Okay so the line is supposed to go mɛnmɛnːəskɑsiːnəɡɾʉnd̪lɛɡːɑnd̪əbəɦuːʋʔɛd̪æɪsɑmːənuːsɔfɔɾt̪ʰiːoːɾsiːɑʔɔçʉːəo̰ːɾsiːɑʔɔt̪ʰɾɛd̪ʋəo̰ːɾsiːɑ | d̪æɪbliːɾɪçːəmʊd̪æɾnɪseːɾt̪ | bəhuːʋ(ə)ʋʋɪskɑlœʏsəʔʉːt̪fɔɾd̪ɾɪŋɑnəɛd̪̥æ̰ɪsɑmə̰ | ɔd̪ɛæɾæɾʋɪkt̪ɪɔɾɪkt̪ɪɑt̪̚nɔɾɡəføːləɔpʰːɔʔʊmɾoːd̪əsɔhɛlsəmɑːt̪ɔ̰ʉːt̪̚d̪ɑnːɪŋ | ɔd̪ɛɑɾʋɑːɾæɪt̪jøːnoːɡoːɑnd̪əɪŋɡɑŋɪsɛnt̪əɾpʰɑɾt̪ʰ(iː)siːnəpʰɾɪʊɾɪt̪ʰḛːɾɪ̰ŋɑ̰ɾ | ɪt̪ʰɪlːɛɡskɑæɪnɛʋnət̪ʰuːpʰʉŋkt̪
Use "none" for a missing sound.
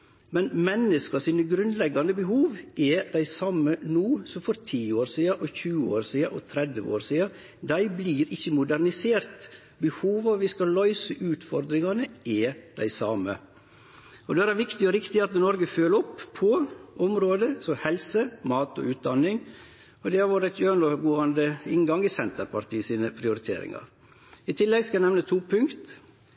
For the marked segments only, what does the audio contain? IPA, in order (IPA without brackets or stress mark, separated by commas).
ɑ, iː